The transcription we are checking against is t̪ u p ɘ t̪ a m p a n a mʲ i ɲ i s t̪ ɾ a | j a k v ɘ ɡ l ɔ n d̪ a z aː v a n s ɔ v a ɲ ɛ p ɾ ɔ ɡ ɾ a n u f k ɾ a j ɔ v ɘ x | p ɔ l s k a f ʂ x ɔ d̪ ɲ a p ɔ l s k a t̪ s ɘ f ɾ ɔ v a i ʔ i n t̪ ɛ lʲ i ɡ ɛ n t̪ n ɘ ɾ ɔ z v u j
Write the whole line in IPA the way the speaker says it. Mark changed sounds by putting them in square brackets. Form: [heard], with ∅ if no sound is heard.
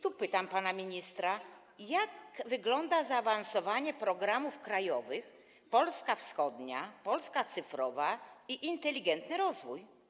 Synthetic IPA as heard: t̪ u p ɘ t̪ a m p a n a mʲ i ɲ i s t̪ ɾ a | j a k v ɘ ɡ l ɔ n d̪ a z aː v a n s ɔ v a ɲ ɛ p ɾ ɔ ɡ ɾ a [m] u f k ɾ a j ɔ v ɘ x | p ɔ l s k a f [s] x ɔ d̪ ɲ a p ɔ l s k a t̪ s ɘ f ɾ ɔ v a i ʔ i n t̪ ɛ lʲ i ɡ ɛ n t̪ n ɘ ɾ ɔ z v u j